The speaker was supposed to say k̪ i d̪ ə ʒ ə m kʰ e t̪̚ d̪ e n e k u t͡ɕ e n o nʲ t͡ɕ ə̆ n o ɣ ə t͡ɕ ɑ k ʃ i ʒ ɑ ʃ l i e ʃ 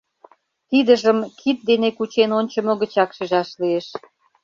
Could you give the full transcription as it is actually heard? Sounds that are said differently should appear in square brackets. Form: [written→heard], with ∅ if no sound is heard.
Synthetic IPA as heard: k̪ i d̪ ə ʒ ə m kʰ [e→i] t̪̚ d̪ e n e k u t͡ɕ e n o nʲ t͡ɕ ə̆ [n→m] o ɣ ə t͡ɕ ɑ k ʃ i ʒ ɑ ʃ l i e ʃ